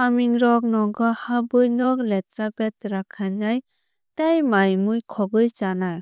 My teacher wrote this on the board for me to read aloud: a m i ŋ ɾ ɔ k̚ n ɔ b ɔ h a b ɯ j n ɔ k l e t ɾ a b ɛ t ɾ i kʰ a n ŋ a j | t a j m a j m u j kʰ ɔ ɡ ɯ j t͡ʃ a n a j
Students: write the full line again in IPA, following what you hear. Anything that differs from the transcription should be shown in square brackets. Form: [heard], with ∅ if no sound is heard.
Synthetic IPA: a m i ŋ ɾ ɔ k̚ n ɔ [ɡ] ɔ h a b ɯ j n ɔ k l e t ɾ a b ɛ t ɾ [a] kʰ a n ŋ a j | t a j m a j m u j kʰ ɔ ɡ ɯ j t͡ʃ a n a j